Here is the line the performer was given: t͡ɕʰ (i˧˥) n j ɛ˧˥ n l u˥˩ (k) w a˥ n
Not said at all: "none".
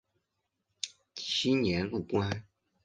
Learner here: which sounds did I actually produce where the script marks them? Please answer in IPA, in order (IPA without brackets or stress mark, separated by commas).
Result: i˥, k